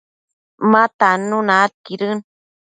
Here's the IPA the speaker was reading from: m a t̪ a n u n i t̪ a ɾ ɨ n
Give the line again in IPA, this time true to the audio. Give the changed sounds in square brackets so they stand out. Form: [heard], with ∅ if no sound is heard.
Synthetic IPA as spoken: m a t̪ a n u n [a] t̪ [i] ɾ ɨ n